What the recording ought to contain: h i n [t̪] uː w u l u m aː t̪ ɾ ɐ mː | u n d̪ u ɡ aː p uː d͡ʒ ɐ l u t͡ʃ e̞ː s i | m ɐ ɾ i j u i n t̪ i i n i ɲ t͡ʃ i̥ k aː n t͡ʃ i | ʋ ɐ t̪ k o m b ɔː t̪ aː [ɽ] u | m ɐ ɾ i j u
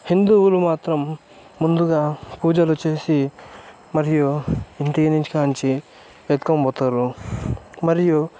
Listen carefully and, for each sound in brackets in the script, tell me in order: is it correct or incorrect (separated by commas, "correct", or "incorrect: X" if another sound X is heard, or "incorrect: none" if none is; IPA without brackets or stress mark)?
incorrect: d̪, incorrect: ɾ